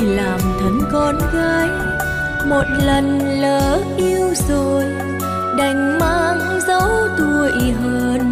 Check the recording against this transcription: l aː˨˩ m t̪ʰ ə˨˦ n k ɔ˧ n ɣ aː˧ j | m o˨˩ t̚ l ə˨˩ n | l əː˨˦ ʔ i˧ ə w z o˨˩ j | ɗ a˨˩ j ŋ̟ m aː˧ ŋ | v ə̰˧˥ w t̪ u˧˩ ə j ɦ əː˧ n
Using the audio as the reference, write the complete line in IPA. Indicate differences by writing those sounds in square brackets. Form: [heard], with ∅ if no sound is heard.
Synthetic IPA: l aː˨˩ m t̪ʰ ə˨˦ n k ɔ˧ n ɣ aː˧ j | m o˨˩ t̚ l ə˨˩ n | l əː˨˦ ʔ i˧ ə w z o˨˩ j | ɗ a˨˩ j ŋ̟ m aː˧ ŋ | [z] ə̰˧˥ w t̪ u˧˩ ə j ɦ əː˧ n